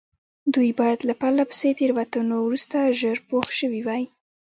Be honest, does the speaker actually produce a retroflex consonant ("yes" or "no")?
no